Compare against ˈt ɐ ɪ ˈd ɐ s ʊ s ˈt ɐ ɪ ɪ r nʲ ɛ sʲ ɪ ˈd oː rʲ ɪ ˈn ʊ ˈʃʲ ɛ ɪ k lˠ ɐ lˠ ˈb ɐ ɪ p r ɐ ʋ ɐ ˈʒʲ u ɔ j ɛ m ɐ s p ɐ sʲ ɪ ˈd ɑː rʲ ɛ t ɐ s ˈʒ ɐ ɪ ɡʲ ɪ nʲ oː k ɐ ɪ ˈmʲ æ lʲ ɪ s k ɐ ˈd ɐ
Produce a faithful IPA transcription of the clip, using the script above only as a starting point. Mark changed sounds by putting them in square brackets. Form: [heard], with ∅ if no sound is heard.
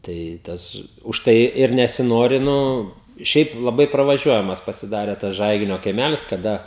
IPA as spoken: ˈt ɐ ɪ [ˈt] ɐ s ʊ [ʃ] ˈt ɐ ɪ ɪ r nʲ ɛ sʲ ɪ [ˈn] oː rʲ ɪ ˈn ʊ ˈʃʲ ɛ ɪ [p] lˠ ɐ [∅] ˈb ɐ ɪ p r ɐ ʋ ɐ ˈʒʲ u ɔ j ɛ m ɐ s p ɐ sʲ ɪ ˈd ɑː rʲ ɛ t ɐ s ˈʒ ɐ ɪ ɡʲ ɪ nʲ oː k ɐ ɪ ˈmʲ æ lʲ ɪ s k ɐ ˈd ɐ